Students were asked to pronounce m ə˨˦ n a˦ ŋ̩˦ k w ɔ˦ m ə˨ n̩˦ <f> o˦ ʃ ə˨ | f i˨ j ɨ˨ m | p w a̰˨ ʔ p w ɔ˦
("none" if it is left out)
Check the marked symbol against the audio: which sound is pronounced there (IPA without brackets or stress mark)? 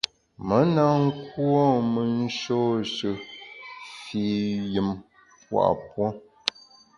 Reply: ʃ